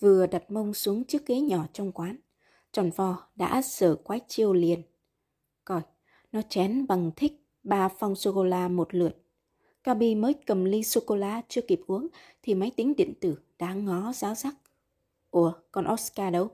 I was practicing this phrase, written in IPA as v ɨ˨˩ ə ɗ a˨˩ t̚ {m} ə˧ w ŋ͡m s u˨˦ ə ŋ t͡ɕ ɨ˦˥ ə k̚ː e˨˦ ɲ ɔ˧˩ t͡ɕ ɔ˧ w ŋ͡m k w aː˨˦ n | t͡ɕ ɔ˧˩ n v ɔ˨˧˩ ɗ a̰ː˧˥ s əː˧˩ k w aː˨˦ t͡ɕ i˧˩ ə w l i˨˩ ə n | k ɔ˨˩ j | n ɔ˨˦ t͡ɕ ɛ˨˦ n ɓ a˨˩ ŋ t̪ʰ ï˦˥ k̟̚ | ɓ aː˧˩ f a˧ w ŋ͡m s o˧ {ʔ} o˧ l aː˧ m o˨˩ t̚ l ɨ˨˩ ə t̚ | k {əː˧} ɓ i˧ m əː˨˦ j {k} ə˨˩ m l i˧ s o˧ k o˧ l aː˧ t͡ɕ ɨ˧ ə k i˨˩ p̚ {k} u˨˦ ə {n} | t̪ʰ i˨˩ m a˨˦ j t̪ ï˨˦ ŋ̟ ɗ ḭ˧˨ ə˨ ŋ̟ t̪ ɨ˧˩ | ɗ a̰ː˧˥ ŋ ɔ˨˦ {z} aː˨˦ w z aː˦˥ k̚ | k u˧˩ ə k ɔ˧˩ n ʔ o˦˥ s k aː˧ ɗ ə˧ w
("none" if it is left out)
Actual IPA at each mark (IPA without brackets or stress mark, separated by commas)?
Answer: m, k, aː˧, k, ʔ, ŋ, z